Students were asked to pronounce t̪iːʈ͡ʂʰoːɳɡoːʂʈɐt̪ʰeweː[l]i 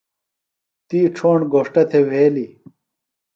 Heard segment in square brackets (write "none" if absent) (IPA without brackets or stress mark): l